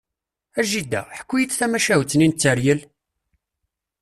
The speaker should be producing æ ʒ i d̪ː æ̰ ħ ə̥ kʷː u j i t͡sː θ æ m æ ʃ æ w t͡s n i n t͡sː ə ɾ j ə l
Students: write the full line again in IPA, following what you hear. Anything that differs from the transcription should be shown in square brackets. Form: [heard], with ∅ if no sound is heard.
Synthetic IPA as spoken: æ ʒ i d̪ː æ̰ ħ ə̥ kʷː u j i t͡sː θ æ m æ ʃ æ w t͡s n i n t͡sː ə ɾ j ə l